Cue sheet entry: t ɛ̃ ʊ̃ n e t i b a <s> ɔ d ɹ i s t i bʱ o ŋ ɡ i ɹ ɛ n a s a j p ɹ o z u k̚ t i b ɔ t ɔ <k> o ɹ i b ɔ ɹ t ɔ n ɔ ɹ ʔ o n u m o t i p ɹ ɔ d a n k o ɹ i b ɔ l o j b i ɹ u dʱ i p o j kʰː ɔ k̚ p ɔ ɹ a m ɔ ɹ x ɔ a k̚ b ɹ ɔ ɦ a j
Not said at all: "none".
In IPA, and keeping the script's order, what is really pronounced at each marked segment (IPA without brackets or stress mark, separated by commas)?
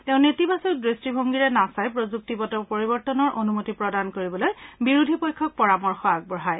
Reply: s, p